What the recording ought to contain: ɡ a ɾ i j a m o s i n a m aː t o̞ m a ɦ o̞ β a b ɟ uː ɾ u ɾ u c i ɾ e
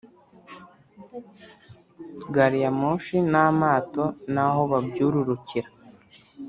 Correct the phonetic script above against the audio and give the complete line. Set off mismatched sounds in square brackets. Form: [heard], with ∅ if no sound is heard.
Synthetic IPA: ɡ a ɾ i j a m o [ʃ] i n a m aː t o̞ [n] a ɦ o̞ β a b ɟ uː ɾ u ɾ u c i ɾ [a]